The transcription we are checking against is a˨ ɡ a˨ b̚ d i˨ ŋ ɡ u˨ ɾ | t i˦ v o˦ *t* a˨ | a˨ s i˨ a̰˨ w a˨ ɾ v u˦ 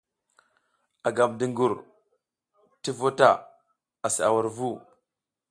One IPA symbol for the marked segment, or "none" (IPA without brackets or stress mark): t